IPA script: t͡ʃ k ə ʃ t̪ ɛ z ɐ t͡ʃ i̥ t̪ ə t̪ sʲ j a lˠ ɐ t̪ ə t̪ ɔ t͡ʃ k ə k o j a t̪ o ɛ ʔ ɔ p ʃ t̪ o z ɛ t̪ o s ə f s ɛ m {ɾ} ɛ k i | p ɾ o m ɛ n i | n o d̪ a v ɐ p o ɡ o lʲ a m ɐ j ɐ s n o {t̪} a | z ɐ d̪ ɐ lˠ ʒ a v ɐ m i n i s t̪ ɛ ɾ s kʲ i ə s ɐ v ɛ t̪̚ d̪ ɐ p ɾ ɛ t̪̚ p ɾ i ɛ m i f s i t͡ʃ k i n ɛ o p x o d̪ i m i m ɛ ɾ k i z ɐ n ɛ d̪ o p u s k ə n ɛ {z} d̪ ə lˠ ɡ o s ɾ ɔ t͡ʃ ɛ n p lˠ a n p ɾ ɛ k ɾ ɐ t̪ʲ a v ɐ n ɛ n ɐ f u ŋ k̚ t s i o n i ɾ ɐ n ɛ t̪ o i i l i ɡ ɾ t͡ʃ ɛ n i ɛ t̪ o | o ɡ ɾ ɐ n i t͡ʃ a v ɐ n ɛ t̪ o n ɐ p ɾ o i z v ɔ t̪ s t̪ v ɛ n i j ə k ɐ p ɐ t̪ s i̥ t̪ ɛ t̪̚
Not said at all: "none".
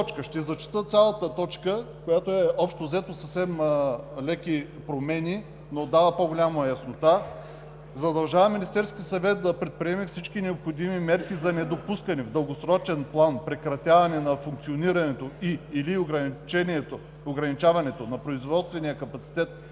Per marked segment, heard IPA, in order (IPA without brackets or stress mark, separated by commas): l, t̪, v